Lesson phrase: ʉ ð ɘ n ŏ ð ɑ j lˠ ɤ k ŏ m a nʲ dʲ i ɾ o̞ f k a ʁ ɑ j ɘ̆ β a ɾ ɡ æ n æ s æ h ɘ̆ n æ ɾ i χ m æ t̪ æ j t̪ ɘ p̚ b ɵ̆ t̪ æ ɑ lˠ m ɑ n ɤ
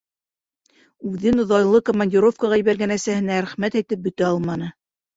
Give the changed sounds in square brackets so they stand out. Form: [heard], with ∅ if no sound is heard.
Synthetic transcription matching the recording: ʉ ð ɘ n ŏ ð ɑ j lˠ ɤ k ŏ m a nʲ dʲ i ɾ o̞ f k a ʁ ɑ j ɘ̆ β [æ] ɾ ɡ æ n æ s æ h ɘ̆ n æ ɾ [æ] χ m æ t̪ æ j t̪ ɘ p̚ b ɵ̆ t̪ æ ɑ lˠ m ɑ n ɤ